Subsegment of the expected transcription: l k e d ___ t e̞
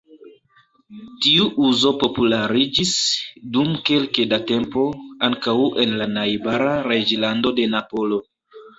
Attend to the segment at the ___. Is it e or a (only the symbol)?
a